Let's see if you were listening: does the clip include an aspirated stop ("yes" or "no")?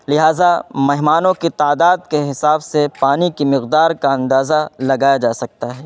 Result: no